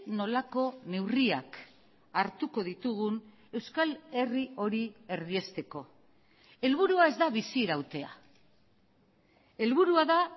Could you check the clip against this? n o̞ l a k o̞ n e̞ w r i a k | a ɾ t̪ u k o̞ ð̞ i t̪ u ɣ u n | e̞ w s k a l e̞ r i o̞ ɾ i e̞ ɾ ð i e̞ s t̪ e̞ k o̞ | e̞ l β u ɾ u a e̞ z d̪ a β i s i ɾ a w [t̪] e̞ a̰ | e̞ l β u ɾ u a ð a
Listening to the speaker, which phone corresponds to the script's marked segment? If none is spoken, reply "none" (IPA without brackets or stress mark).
t̪